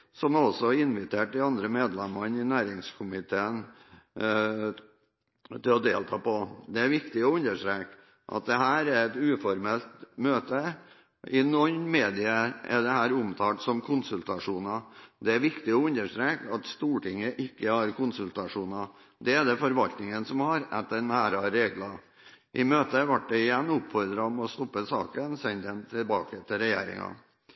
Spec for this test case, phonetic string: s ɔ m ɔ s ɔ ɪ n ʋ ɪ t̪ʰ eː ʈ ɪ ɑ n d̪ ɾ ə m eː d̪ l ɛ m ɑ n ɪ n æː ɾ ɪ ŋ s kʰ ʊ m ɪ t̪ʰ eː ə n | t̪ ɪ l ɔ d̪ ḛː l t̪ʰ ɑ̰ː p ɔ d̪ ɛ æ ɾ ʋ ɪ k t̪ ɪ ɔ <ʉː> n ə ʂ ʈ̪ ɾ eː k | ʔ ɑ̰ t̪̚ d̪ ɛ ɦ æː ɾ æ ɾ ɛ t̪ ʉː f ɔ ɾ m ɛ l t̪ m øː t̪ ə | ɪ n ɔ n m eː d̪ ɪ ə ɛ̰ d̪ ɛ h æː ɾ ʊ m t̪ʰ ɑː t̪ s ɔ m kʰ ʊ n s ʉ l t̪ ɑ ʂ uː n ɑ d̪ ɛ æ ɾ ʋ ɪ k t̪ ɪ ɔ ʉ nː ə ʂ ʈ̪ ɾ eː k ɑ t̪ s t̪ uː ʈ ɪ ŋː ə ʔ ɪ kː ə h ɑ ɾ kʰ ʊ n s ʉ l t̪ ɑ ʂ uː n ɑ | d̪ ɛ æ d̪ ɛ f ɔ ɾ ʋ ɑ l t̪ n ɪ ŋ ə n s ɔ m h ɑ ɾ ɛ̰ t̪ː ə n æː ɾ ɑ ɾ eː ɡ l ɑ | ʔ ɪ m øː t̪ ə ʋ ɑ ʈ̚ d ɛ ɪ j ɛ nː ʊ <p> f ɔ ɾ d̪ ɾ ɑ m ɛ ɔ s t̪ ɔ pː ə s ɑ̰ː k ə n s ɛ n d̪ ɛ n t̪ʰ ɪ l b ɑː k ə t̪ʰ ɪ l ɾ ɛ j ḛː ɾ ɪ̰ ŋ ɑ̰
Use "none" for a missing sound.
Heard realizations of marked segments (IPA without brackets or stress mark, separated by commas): ʉ, p